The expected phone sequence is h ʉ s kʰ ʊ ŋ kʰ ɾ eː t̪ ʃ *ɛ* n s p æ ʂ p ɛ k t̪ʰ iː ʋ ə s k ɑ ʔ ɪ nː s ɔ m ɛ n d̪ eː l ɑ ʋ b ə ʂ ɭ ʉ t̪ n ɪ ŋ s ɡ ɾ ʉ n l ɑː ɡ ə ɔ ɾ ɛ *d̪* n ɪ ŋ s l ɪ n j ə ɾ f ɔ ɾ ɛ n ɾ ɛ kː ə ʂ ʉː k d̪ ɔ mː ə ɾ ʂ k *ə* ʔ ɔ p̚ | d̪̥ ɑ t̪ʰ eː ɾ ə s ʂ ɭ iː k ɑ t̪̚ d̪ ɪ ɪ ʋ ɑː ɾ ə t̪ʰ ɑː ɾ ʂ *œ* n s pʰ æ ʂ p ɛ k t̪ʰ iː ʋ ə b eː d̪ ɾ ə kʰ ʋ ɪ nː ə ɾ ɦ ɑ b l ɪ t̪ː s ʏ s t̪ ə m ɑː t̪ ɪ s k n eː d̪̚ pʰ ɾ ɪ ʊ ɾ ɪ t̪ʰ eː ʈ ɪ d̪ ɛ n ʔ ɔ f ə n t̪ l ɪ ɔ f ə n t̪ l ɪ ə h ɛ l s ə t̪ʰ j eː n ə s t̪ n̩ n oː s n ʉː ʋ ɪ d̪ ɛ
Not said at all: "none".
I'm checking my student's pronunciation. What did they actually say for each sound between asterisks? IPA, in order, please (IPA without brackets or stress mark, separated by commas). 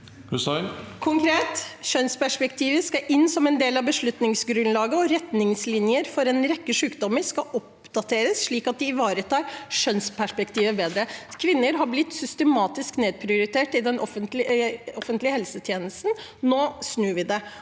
œ, t̪, ɑ, œ